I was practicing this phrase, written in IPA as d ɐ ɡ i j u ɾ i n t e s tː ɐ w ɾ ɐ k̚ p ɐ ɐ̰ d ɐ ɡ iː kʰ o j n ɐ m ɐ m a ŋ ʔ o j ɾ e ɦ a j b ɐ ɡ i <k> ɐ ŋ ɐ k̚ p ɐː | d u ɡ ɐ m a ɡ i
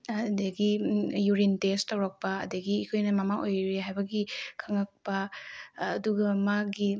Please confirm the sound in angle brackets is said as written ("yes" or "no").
no